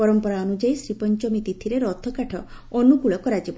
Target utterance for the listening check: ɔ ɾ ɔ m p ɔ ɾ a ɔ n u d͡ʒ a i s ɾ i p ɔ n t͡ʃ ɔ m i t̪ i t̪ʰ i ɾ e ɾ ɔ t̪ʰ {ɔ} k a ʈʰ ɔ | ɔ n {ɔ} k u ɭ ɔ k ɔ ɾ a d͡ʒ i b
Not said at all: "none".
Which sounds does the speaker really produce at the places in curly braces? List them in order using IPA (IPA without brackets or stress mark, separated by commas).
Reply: ɔ, u